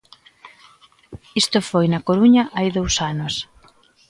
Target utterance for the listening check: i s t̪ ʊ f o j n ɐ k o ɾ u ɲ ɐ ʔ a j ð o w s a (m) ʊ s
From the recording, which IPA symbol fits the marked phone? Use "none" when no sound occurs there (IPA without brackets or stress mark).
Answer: n